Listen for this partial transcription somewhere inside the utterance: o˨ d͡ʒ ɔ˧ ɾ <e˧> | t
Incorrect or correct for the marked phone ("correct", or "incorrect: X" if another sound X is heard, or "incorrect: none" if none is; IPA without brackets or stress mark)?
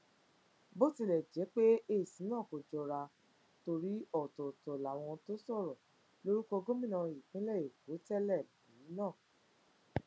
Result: incorrect: a˧